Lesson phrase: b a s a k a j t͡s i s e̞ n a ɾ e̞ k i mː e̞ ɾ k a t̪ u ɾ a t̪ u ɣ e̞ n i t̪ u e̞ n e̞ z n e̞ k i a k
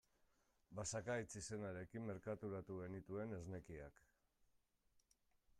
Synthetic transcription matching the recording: b a s a k a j t͡s i s e̞ n a ɾ e̞ k i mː e̞ ɾ k a t̪ u ɾ a t̪ u ɣ e̞ n i t̪ u e̞ n e̞ z n e̞ k i a k